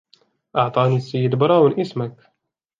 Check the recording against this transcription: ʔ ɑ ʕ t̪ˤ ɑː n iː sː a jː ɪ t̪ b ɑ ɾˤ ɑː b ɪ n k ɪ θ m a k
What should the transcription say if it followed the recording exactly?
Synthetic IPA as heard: ʔ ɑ ʕ t̪ˤ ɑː n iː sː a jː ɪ d̪ b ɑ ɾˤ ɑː w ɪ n ʔ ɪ s m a k